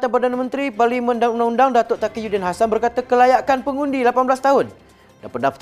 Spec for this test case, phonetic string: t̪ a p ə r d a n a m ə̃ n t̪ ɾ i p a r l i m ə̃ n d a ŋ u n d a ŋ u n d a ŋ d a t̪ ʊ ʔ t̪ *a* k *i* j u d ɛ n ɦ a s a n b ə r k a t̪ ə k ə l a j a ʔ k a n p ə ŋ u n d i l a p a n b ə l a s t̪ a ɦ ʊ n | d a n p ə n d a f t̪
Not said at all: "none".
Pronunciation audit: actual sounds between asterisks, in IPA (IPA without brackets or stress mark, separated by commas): a, i